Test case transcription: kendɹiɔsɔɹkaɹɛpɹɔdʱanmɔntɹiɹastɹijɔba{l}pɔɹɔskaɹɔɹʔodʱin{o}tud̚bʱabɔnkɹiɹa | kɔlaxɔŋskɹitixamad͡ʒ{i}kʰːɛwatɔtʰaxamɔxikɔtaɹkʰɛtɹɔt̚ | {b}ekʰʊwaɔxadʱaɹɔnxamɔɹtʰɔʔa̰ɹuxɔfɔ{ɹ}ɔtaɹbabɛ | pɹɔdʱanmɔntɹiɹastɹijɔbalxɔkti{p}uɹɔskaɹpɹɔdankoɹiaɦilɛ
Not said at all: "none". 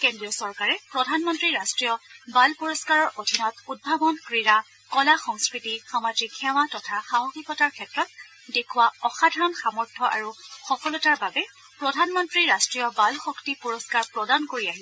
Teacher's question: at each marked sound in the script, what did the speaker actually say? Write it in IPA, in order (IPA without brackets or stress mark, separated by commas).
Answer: l, ɔ, i, d, l, p